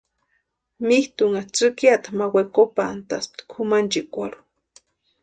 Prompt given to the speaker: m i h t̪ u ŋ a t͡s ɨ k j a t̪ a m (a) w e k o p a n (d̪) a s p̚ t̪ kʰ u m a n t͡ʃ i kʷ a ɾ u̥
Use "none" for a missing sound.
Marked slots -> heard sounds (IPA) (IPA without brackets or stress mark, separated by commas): a, t̪